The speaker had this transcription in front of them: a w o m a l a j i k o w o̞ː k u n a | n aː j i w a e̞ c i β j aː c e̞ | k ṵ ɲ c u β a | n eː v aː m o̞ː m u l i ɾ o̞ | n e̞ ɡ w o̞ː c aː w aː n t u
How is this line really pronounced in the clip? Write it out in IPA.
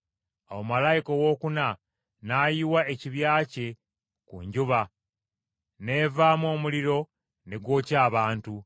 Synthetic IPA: a w o m a l a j i k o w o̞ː k u n a | n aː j i w a e̞ c i β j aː c e̞ | k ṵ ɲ ɟ u β a | n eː v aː m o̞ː m u l i ɾ o̞ | n e̞ ɡ w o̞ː c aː β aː n t u